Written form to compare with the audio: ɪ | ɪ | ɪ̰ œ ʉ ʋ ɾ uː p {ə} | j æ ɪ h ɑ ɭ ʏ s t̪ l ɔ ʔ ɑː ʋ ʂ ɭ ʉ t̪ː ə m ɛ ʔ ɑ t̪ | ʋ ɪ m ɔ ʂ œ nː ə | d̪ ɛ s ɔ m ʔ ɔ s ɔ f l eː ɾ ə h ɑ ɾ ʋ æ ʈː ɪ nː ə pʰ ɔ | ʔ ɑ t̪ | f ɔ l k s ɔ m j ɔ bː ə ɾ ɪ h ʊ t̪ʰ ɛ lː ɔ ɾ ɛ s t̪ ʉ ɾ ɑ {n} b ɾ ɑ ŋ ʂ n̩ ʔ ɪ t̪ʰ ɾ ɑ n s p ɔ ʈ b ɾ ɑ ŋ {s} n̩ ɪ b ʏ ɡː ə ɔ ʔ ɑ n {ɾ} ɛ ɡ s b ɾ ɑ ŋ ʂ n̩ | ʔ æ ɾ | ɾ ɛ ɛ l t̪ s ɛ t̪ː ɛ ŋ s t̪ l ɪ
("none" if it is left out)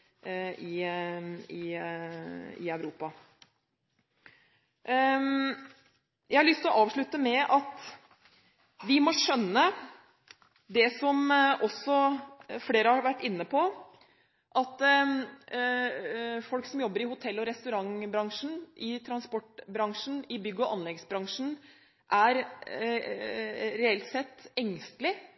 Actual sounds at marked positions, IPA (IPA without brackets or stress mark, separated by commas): ɑ, ŋ, ʂ, l